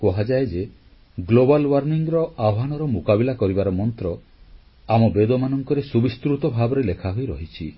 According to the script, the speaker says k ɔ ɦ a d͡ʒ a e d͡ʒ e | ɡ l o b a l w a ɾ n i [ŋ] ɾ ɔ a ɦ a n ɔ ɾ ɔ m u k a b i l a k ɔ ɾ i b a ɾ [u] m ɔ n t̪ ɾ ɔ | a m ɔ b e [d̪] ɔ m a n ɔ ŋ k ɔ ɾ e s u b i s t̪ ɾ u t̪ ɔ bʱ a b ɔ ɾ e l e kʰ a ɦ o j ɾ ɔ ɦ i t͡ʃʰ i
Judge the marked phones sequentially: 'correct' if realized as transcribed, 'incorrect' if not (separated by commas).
correct, incorrect, correct